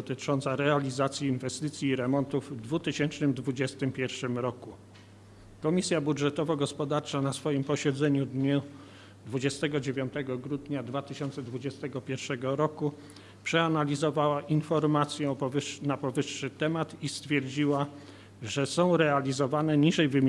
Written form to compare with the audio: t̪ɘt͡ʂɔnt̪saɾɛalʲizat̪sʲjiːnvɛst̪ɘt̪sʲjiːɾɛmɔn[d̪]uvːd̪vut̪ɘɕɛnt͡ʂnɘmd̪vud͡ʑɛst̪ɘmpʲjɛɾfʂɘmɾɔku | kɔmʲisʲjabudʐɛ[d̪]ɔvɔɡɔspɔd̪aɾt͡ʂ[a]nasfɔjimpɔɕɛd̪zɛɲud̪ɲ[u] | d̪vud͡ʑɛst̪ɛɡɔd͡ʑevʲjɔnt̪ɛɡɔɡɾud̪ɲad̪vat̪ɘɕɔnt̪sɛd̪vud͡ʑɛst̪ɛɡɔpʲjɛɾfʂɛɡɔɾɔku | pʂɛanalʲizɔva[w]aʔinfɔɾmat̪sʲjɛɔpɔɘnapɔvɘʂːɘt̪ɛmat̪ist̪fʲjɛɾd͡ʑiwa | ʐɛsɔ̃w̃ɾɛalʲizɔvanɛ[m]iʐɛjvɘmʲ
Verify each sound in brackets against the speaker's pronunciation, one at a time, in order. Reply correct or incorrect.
incorrect, incorrect, correct, correct, correct, incorrect

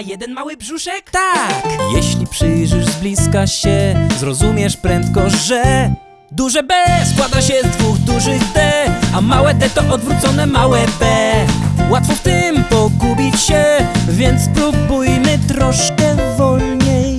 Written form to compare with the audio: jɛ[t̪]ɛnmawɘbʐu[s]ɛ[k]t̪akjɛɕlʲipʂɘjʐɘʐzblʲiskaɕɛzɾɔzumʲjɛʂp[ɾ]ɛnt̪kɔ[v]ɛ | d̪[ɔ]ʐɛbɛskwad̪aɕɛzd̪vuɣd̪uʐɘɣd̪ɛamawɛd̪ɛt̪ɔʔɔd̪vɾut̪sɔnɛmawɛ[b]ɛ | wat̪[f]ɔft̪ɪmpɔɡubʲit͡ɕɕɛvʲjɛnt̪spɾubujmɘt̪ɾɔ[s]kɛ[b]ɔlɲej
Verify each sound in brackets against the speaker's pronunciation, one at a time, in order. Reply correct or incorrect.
incorrect, incorrect, correct, correct, incorrect, incorrect, correct, correct, incorrect, incorrect

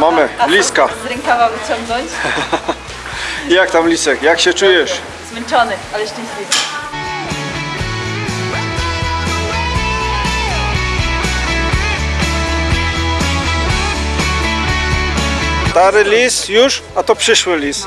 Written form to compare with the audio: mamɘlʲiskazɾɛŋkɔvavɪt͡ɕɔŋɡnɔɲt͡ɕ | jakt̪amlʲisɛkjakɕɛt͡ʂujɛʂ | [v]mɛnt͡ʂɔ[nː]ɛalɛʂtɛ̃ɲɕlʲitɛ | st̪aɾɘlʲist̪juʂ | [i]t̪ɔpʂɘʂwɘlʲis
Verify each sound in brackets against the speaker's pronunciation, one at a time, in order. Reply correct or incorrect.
incorrect, incorrect, incorrect

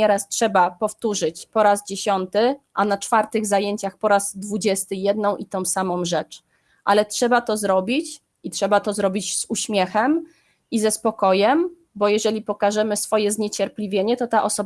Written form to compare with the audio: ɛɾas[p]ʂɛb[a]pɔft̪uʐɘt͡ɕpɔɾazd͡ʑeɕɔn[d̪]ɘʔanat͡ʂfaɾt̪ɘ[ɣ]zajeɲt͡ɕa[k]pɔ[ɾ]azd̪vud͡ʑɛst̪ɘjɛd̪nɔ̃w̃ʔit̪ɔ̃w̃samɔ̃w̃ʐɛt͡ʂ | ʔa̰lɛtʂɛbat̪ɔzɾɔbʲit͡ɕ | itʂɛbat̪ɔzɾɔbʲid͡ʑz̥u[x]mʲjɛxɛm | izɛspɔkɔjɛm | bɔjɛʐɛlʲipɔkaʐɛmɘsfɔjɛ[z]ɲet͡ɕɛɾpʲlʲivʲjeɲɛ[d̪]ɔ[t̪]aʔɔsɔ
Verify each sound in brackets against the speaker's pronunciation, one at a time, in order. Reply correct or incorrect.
incorrect, correct, incorrect, correct, incorrect, correct, incorrect, correct, incorrect, correct

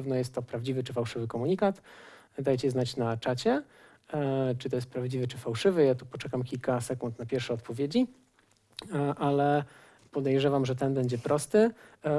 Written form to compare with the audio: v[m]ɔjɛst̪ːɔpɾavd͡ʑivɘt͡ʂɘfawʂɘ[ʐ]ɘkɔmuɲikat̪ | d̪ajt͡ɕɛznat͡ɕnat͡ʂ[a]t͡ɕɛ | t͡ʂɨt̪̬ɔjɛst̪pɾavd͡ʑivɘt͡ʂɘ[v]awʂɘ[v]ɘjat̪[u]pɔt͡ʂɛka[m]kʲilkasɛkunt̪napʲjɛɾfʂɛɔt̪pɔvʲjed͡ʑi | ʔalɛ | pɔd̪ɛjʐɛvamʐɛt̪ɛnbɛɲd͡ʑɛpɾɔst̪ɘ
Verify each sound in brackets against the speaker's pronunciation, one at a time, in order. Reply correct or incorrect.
incorrect, incorrect, correct, incorrect, correct, correct, correct

